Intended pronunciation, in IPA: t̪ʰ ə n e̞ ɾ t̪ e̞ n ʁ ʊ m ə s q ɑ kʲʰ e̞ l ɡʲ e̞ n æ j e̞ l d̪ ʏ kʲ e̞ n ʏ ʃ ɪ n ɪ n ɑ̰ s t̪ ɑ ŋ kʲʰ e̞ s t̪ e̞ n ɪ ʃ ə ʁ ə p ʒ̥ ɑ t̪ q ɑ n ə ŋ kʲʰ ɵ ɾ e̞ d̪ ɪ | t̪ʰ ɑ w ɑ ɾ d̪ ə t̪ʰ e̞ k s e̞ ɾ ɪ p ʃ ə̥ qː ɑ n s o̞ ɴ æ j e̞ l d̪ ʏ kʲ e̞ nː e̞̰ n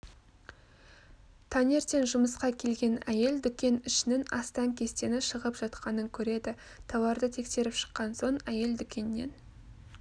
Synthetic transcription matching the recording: t̪ʰ ɑ n e̞ ɾ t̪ e̞ n ʒ ʊ m ə s q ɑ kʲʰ e̞ l ɡʲ e̞ n æ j e̞ l d̪ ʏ kʲ e̞ n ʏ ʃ ɪ n ɪ n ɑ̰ s t̪ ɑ ŋ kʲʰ e̞ s t̪ e̞ n ɪ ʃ ə ʁ ə p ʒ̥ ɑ t̪ q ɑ n ə ŋ kʲʰ ɵ ɾ e̞ d̪ ɪ | t̪ʰ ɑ w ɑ ɾ d̪ ə t̪ʰ e̞ k s e̞ ɾ ɪ p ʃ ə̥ qː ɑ n s o̞ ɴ æ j e̞ l d̪ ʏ kʲ e̞ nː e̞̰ n